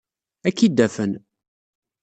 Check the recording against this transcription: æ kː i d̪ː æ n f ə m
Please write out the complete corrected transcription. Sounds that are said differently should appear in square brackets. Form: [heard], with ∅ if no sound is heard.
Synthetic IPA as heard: æ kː i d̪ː æ [∅] f ə [n]